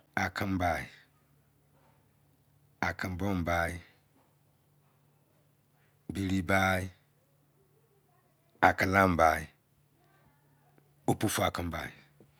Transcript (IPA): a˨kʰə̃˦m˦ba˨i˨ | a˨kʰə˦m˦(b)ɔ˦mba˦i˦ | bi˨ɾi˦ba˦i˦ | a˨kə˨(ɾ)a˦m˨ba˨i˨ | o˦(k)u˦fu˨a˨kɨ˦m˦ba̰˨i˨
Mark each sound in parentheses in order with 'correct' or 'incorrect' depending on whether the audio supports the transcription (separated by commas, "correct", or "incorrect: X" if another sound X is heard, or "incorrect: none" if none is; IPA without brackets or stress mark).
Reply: correct, incorrect: l, incorrect: p